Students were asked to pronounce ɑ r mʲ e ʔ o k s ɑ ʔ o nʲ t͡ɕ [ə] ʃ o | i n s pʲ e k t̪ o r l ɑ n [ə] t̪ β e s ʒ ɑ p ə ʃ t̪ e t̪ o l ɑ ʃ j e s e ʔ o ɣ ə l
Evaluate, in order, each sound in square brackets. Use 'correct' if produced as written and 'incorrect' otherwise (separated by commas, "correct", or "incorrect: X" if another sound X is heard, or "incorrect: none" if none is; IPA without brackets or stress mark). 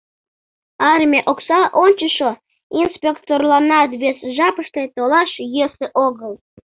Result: correct, incorrect: ɑ